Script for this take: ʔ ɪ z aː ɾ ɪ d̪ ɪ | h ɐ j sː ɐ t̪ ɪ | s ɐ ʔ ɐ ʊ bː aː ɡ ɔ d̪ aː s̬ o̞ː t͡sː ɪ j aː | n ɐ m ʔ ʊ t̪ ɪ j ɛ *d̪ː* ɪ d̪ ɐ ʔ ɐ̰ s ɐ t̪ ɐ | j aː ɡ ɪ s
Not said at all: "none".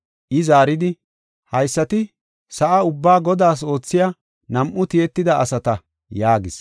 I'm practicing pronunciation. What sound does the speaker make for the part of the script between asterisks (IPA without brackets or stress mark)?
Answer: t̪ː